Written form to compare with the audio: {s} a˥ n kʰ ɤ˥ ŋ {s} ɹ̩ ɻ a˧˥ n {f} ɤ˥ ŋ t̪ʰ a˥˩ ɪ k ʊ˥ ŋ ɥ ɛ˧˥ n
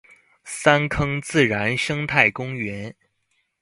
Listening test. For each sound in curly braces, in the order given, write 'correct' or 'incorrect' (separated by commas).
correct, incorrect, incorrect